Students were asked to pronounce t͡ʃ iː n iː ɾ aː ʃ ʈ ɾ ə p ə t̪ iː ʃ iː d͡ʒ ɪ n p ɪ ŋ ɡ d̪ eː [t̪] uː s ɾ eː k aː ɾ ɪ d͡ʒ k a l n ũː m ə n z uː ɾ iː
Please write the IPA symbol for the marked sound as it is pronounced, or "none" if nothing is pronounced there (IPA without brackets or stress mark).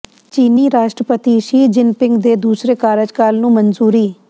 d̪